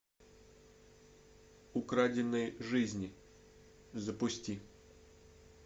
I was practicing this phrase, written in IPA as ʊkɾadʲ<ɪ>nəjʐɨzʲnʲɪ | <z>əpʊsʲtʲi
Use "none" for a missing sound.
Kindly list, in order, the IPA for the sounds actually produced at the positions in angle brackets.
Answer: ɪ, z

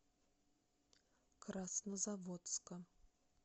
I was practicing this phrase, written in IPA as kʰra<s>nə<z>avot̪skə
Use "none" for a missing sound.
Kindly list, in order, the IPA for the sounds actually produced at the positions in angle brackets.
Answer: s, z

